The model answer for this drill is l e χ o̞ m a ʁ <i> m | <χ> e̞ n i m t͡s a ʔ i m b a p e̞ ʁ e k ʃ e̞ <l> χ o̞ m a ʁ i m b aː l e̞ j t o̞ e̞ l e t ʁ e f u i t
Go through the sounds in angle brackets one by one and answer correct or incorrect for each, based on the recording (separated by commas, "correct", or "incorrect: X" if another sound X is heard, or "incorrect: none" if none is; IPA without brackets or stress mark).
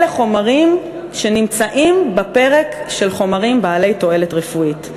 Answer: correct, incorrect: ʃ, correct